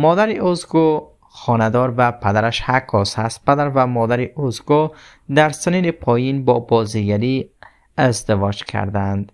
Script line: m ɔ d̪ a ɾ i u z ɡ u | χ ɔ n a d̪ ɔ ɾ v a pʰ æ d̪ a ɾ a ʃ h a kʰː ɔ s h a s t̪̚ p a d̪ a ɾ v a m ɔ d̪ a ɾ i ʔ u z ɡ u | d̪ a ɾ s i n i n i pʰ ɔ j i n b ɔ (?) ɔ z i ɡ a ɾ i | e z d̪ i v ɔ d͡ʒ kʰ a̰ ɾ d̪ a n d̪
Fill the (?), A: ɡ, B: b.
B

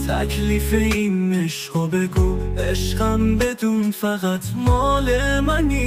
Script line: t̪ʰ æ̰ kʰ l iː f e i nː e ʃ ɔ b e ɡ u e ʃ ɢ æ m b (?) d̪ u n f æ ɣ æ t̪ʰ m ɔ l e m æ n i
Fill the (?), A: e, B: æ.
A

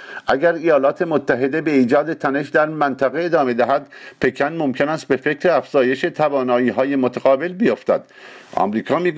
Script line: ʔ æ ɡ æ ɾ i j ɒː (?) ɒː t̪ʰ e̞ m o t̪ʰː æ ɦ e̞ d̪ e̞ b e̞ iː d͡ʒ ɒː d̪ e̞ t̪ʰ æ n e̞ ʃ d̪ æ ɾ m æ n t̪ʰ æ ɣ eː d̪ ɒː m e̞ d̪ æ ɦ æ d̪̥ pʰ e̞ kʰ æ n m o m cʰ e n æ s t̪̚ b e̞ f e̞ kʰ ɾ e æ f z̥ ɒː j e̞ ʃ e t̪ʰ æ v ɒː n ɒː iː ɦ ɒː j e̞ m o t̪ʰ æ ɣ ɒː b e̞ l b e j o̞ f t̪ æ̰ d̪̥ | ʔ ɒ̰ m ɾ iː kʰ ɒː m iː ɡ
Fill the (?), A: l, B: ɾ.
A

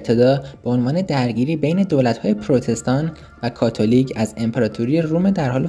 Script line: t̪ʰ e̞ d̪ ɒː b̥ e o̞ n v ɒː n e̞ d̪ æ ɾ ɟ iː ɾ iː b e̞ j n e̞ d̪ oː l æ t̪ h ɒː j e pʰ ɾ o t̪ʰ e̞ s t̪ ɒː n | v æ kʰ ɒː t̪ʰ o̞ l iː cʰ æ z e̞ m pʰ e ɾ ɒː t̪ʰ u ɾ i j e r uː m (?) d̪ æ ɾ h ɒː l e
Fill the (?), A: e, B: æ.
A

